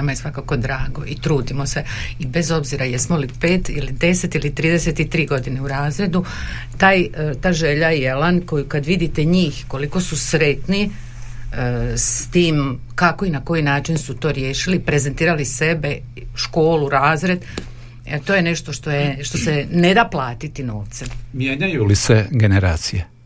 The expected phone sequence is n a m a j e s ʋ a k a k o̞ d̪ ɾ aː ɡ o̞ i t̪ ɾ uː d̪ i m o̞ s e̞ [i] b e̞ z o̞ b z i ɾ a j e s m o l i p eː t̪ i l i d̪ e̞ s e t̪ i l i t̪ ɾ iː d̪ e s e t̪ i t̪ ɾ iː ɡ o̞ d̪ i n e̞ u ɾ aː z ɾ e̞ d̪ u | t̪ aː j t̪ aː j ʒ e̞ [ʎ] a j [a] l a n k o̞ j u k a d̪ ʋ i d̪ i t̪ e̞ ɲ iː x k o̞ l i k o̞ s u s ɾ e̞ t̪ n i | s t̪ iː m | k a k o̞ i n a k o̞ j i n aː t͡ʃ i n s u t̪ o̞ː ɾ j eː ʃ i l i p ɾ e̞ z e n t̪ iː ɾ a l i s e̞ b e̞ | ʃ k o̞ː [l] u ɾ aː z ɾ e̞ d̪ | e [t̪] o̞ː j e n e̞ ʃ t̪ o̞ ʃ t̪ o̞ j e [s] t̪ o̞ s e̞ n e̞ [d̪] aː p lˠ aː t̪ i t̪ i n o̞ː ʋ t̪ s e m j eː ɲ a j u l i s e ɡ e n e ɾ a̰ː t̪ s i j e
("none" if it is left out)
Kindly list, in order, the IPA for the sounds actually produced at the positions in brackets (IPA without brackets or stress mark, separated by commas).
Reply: i, ʎ, e, l, t̪, ʃ, d̪